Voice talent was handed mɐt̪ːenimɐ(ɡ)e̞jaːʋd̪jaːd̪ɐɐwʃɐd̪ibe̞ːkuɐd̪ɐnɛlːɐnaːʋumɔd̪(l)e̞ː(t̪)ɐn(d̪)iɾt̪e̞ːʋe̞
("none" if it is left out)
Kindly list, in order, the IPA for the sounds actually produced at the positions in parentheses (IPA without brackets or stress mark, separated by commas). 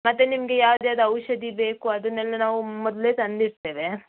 ɡ, l, t̪, d̪